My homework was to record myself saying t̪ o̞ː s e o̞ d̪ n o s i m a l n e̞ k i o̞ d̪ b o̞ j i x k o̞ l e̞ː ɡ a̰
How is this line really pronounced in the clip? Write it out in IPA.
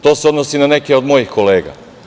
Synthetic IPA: t̪ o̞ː s e o̞ d̪ n o s i n a n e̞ k e o̞ d̪ m o̞ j i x k o̞ l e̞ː ɡ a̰